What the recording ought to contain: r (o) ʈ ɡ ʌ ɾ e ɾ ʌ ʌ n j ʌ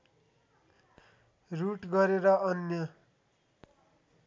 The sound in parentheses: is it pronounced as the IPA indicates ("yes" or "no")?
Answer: no